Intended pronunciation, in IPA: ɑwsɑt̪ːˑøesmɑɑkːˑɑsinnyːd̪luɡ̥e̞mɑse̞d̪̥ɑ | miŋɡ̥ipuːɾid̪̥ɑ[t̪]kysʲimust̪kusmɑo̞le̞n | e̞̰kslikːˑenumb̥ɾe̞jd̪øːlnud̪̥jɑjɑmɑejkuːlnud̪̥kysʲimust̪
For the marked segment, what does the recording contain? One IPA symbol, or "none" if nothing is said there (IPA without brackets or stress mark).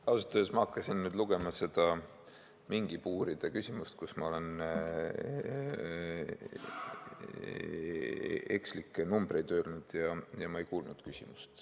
none